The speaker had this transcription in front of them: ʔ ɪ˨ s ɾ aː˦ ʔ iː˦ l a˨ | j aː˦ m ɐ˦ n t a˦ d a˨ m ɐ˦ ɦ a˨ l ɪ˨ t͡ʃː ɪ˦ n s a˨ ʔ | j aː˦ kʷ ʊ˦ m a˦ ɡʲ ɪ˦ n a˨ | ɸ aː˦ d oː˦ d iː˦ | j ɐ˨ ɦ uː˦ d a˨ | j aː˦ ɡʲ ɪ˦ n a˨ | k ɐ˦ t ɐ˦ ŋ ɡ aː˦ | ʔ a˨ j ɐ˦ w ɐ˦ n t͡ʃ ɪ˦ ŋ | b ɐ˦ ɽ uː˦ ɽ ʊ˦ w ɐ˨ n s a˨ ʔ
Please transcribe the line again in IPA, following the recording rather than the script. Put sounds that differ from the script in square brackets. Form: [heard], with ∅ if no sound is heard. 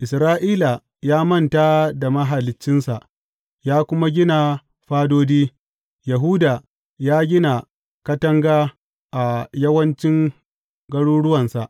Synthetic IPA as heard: ʔ ɪ˨ s ɾ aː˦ ʔ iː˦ l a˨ | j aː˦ m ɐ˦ n t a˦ d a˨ m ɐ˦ ɦ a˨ l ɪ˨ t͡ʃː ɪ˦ n s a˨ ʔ | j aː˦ kʷ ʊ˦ m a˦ ɡʲ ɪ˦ n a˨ | ɸ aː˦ d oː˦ d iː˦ | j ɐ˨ ɦ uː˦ d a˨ | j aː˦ ɡʲ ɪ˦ n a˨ | k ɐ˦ t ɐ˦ ŋ ɡ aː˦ | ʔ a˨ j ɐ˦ w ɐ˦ n t͡ʃ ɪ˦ ŋ | [ɡ] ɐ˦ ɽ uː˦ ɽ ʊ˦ w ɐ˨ n s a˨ ʔ

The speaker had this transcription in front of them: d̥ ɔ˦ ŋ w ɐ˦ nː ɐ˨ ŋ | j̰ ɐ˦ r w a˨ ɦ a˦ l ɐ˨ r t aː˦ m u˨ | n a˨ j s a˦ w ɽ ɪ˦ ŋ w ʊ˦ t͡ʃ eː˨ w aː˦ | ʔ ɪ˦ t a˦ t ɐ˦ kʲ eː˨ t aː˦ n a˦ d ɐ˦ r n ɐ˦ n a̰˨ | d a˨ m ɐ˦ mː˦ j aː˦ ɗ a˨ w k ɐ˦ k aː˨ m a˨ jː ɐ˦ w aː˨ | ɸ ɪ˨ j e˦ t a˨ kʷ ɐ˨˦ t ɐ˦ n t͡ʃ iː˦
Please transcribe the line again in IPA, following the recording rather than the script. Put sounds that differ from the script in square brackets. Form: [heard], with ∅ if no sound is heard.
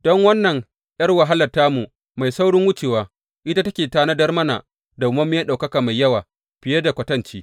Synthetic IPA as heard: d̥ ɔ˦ ŋ w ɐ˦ nː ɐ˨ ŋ | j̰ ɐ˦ r w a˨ ɦ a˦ l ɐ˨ r t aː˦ m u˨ | [m] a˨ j s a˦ w ɽ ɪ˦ ŋ w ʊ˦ t͡ʃ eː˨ w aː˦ | ʔ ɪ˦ t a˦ t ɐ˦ kʲ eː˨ t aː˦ n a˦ d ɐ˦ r [m] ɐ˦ n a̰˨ | d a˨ m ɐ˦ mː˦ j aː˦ ɗ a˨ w k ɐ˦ k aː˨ m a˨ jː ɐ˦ w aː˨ | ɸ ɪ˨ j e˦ [d] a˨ kʷ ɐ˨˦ t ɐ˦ n t͡ʃ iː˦

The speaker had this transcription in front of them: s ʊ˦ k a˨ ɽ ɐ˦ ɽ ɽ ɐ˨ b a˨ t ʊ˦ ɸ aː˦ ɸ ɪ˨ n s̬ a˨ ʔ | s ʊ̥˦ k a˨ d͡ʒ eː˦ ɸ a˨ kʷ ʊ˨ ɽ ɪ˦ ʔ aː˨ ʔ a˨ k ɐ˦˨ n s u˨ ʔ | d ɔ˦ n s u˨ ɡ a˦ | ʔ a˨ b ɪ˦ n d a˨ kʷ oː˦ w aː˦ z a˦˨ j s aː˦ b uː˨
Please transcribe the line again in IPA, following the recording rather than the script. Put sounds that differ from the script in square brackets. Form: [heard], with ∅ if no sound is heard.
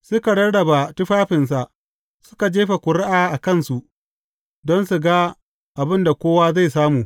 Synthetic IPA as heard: s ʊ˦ k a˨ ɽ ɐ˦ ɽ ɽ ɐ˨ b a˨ t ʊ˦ ɸ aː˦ ɸ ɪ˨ n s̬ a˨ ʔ | s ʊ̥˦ k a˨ d͡ʒ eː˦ ɸ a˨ kʷ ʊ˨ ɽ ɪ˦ ʔ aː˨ ʔ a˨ k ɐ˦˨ n s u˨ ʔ | d ɔ˦ n s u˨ ɡ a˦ | ʔ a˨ b ɪ˦ n d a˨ kʷ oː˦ w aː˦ z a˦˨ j s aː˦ [m] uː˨

